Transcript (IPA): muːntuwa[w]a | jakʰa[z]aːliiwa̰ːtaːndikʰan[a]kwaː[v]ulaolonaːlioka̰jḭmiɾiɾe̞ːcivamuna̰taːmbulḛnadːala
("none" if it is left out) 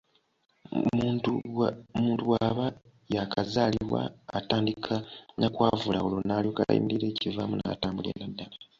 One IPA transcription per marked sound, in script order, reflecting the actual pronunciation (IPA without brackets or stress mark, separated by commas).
β, z, a, v